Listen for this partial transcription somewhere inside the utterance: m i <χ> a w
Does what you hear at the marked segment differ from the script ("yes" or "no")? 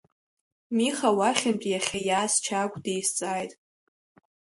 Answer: no